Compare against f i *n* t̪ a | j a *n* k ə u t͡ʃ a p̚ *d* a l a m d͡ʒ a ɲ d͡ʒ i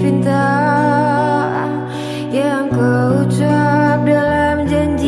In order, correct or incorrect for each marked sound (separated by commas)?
correct, incorrect, correct